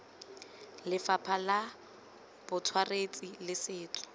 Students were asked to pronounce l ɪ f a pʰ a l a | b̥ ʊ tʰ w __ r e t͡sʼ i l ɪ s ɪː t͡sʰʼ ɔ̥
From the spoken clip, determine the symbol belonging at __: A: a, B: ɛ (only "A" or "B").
A